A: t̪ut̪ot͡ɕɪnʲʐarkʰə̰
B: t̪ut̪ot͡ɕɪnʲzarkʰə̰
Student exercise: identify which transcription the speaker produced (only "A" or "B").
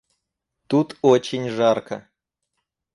A